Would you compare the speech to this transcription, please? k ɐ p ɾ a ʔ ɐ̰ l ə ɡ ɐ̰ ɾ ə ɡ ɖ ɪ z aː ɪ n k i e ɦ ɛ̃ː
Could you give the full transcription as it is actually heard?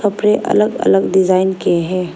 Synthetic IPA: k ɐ p ɾ e ʔ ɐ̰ l ə ɡ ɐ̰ l ə ɡ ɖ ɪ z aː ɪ n k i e ɦ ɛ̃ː